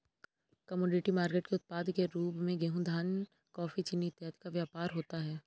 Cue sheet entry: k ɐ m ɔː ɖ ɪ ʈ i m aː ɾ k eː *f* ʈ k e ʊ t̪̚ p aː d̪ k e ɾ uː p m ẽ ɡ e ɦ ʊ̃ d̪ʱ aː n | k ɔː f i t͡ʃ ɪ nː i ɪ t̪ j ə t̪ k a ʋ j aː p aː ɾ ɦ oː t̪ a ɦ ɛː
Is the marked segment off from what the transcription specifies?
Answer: yes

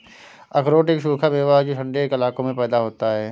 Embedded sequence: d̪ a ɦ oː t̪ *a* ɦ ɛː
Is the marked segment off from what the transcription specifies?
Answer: no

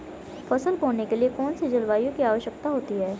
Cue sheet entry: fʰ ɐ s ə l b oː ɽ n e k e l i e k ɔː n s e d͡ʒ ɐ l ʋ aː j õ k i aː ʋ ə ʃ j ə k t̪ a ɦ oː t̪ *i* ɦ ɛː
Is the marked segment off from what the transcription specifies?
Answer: no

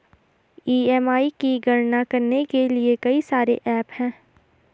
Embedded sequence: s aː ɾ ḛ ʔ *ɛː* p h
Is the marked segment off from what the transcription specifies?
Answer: no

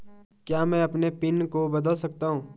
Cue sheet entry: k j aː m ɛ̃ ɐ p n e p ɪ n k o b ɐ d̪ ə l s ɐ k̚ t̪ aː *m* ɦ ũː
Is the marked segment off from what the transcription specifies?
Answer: yes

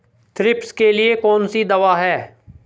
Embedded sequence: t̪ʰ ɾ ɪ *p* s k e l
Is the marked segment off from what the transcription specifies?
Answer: no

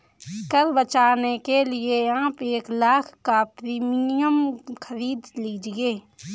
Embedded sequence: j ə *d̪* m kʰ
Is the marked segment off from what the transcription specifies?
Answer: yes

